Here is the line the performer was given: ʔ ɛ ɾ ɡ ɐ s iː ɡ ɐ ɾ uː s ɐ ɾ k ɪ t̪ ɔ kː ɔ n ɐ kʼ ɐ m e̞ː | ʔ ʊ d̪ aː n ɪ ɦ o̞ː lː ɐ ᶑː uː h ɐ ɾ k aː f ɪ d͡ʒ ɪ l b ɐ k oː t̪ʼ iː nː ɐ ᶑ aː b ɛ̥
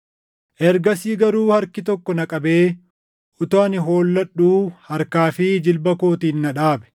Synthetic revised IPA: ʔ ɛ ɾ ɡ ɐ s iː ɡ ɐ ɾ uː h ɐ ɾ k ɪ t̪ ɔ kː ɔ n ɐ kʼ ɐ b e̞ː | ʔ ʊ t̪ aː n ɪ ɦ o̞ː lː ɐ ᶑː uː h ɐ ɾ k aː f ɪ d͡ʒ ɪ l b ɐ k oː t̪ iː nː ɐ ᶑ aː b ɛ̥